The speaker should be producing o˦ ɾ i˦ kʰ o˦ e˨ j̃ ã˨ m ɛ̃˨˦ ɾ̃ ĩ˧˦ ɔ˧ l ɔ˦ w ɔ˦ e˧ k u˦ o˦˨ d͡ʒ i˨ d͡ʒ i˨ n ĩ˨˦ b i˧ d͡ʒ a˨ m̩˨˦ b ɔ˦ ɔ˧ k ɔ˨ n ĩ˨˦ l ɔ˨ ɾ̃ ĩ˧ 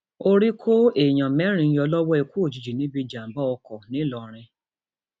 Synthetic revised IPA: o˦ ɾ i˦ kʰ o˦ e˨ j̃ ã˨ m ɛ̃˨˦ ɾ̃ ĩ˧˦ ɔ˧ l ɔ˦ w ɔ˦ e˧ k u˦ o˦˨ d͡ʒ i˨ d͡ʒ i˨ n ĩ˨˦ b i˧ d͡ʒ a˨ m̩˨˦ b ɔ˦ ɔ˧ k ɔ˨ n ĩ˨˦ l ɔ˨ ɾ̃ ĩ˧